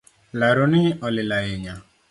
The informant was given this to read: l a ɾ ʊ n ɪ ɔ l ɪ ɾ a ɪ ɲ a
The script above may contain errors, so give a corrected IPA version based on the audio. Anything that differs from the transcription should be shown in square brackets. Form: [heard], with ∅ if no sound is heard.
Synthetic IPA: l a ɾ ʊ n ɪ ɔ l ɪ [l] a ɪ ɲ a